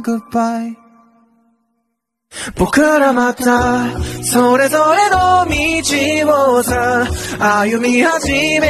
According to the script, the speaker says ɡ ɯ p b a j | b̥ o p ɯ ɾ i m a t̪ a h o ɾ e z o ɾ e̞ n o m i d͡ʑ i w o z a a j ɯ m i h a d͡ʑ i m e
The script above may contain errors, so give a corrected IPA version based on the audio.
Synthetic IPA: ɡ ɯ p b a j | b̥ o k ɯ ɾ a m a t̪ a s o ɾ e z o ɾ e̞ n o m i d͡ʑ i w o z a a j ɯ m i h a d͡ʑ i m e